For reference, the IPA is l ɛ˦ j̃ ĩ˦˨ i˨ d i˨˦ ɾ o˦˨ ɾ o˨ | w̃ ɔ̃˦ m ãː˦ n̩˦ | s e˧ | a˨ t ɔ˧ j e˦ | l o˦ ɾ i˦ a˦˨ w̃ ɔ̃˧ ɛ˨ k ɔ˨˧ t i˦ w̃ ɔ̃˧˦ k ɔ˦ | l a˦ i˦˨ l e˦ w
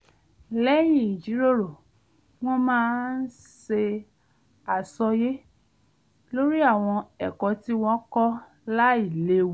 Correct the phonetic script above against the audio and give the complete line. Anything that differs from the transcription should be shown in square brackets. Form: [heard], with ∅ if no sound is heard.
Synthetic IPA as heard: l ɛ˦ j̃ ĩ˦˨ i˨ [d͡ʒ] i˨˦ ɾ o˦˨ ɾ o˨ | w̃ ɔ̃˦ m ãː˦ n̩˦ | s e˧ | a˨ [s] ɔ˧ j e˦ | l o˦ ɾ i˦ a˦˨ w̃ ɔ̃˧ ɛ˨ k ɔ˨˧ t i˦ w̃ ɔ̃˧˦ k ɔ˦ | l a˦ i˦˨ l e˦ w